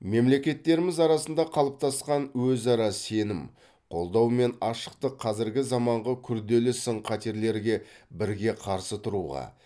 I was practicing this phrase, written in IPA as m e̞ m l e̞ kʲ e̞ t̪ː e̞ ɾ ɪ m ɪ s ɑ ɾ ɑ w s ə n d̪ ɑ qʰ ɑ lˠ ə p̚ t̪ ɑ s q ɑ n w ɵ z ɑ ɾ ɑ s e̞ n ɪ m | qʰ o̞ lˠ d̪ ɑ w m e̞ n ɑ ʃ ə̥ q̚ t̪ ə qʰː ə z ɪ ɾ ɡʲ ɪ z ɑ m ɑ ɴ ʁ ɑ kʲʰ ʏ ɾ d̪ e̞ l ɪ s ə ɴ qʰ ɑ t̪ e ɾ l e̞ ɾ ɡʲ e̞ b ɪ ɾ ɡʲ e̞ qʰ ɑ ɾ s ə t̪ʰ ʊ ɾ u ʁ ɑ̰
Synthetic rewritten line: m e̞ m l e̞ kʲ e̞ t̪ː e̞ ɾ ɪ m ɪ z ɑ ɾ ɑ s ə n d̪ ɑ qʰ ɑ lˠ ə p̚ t̪ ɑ s q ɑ n w ɵ z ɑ ɾ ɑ s e̞ n ɪ m | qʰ o̞ lˠ d̪ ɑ w m e̞ n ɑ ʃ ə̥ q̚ t̪ ə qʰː ɑ z ɪ ɾ ɡʲ ɪ z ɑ m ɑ ɴ ʁ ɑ kʲʰ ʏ ɾ d̪ e̞ l ɪ s ə ɴ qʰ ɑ t̪ e ɾ l e̞ ɾ ɡʲ e̞ b ɪ ɾ ɡʲ e̞ qʰ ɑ ɾ s ə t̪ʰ ʊ ɾ u ʁ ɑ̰